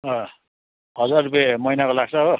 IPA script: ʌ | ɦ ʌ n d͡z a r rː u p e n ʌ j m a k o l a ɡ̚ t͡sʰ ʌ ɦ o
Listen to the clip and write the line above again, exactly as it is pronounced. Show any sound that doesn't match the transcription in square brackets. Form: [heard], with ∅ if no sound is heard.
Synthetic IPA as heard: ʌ | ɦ ʌ [∅] d͡z a r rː u p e [m] ʌ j [n] a k o l a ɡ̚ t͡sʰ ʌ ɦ o